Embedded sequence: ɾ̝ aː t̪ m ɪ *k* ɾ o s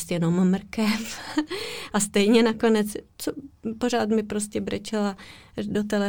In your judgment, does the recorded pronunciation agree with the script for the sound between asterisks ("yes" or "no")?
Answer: no